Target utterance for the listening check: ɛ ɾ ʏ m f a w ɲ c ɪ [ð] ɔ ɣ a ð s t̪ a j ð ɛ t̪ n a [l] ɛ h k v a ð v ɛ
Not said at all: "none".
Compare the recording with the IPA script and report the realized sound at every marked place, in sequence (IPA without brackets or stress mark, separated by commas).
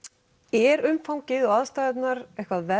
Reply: ð, ɾ